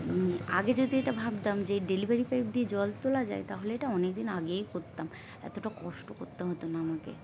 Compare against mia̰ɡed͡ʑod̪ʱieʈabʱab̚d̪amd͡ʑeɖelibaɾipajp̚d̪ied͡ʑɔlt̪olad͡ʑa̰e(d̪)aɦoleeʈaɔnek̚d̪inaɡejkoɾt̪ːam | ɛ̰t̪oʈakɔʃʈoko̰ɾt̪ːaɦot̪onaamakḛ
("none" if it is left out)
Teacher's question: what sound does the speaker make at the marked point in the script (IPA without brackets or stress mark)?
t̪